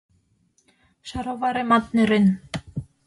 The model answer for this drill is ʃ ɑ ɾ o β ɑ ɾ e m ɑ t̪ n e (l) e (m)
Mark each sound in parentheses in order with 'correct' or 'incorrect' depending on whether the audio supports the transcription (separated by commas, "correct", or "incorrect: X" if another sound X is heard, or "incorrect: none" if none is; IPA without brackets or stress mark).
incorrect: ɾ, incorrect: n